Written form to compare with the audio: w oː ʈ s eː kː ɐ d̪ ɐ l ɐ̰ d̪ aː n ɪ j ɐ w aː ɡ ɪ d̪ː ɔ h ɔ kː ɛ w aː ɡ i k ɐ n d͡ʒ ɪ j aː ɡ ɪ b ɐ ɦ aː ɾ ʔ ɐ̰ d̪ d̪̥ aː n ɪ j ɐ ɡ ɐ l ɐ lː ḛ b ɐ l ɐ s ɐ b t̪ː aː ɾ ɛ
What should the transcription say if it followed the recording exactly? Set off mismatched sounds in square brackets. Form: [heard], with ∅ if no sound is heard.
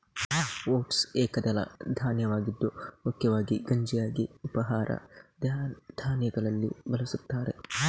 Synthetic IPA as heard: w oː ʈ s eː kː ɐ d̪ ɐ l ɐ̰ d̪ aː n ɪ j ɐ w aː ɡ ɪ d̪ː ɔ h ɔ kː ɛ w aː ɡ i [ɡ] ɐ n d͡ʒ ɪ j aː ɡ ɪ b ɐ ɦ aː ɾ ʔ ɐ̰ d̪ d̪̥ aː n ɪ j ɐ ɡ ɐ l ɐ lː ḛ b ɐ l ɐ s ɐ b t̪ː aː ɾ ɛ